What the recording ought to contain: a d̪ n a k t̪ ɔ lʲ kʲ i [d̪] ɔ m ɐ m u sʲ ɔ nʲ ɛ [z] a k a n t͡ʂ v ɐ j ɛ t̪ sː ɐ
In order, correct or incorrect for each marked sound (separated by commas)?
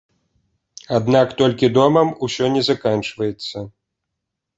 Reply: correct, correct